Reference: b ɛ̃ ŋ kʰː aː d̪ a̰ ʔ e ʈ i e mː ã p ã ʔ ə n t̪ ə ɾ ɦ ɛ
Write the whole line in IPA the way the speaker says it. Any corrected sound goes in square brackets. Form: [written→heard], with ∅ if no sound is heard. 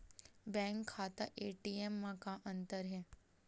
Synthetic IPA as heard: b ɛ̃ ŋ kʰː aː [d̪→t̪] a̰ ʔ e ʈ i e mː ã [p→k] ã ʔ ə n t̪ ə ɾ ɦ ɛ